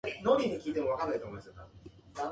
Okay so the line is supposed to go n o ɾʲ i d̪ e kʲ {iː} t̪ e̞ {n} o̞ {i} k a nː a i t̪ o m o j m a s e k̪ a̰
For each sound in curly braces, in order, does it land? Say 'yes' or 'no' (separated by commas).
yes, no, no